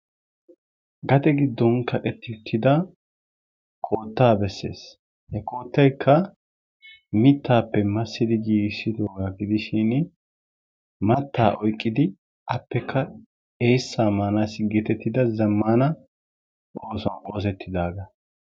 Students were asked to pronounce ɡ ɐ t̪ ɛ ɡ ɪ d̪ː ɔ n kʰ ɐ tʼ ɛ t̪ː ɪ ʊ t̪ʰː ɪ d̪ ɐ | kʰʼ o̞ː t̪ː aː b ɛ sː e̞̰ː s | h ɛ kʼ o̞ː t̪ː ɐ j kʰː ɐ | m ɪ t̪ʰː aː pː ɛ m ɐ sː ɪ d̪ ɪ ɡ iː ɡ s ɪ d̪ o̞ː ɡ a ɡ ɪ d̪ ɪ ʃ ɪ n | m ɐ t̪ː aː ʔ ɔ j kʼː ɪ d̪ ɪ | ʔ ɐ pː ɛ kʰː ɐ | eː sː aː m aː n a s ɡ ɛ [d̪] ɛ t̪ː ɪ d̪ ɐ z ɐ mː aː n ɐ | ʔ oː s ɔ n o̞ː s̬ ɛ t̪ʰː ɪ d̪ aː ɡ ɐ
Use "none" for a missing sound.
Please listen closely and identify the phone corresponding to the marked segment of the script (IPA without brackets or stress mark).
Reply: t̪